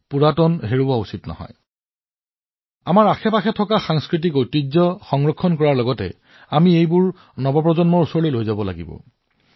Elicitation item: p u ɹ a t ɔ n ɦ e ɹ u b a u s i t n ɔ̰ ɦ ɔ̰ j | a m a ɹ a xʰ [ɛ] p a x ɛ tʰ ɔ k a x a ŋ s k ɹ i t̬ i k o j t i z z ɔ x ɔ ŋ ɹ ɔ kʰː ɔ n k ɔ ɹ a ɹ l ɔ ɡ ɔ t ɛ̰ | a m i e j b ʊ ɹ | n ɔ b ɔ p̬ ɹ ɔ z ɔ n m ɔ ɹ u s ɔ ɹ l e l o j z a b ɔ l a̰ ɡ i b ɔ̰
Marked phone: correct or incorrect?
correct